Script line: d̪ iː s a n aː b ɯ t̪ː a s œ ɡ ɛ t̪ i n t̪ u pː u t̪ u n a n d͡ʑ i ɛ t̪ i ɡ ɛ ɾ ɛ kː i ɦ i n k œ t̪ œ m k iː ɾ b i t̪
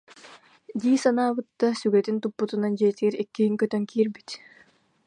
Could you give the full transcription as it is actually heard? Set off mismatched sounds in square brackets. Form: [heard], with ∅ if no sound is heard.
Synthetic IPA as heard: d̪ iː s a n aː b ɯ t̪ː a s [y] ɡ ɛ t̪ i n t̪ u pː u t̪ u n a n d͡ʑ i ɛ t̪ i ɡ ɛ ɾ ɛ kː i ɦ i [ŋ] k œ t̪ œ [ŋ] k iː ɾ b i t̪